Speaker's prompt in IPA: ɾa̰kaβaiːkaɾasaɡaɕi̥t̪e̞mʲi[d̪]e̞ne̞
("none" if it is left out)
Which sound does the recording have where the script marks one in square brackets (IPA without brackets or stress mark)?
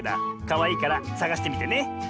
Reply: t̪